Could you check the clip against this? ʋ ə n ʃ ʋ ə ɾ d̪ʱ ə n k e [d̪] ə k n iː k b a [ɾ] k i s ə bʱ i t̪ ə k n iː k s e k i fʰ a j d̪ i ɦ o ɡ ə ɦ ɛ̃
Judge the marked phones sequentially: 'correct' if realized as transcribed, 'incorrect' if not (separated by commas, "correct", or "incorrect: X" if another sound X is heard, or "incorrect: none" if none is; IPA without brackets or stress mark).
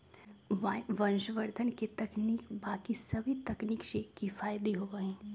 incorrect: t̪, incorrect: none